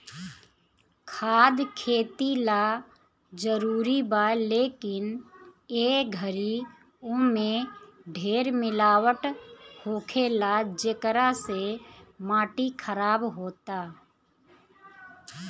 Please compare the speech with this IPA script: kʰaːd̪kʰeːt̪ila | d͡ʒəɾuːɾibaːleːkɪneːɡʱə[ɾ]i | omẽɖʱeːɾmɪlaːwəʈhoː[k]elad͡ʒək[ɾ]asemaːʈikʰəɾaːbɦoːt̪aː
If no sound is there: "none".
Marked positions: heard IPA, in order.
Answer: ɾ, kʰ, ɾ

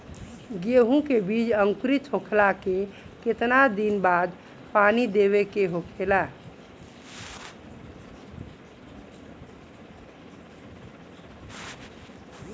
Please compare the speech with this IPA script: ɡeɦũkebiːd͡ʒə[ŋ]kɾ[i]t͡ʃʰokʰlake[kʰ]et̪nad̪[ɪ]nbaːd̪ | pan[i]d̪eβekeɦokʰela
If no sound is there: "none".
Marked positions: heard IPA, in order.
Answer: ŋ, i, k, i, i

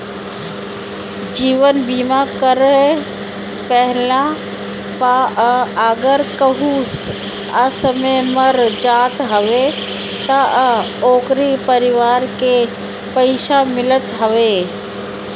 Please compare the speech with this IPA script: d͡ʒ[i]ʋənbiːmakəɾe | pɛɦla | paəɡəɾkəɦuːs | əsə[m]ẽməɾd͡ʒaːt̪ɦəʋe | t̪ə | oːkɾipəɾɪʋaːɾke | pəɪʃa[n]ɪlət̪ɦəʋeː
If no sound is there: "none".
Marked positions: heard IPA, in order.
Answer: iː, m, m

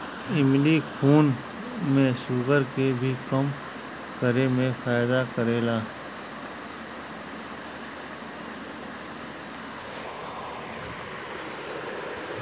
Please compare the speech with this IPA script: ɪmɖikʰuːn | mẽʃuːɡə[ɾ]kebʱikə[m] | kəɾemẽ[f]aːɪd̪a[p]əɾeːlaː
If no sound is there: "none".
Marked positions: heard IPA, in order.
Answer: ɾ, m, f, k

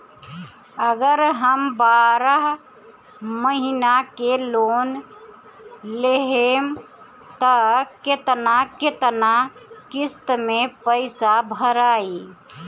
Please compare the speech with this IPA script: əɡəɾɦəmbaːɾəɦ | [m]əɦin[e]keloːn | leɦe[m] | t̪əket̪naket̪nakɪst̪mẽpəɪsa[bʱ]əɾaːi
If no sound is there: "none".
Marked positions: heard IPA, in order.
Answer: m, a, m, bʱ

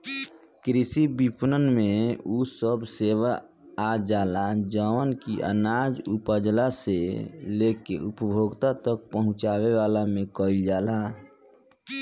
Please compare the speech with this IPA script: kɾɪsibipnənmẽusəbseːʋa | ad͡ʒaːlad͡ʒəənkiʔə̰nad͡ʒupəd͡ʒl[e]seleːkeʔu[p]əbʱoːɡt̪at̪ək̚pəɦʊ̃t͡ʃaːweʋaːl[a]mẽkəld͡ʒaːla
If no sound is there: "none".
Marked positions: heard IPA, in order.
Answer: a, p, a

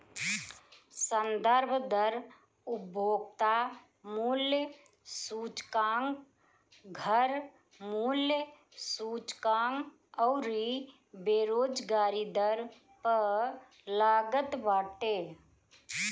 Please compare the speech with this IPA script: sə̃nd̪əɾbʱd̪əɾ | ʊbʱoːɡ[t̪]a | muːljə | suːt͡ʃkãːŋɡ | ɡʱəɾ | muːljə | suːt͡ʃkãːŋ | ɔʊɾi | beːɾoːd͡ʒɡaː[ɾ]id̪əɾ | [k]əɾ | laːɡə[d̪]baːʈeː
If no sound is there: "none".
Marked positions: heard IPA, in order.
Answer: t̪, ɾ, p, t̪

